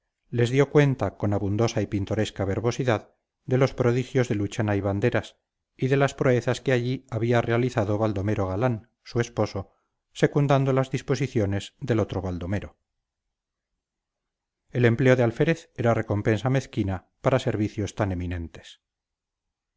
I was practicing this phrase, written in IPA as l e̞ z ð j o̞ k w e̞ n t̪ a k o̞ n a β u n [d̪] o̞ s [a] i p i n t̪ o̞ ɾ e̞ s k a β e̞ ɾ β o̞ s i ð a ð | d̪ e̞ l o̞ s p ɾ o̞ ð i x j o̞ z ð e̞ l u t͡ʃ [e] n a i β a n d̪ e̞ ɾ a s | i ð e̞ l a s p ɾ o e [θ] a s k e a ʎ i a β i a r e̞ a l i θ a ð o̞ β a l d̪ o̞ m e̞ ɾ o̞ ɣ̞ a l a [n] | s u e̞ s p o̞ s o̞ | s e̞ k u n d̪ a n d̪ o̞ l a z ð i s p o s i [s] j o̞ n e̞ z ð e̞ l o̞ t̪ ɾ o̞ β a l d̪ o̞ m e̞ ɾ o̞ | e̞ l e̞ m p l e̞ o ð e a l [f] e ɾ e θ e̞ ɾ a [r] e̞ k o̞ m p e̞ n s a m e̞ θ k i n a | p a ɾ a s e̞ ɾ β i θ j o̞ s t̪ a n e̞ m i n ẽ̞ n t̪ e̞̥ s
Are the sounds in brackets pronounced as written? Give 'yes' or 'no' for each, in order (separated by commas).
yes, yes, no, yes, yes, no, yes, yes